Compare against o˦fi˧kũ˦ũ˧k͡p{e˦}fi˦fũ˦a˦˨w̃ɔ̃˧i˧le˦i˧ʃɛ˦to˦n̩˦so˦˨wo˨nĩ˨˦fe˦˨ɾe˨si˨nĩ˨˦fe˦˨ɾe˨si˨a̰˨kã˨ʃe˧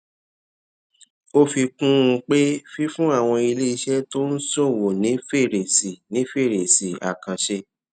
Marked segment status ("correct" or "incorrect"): correct